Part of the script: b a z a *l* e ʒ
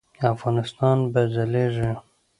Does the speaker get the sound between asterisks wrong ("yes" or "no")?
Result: no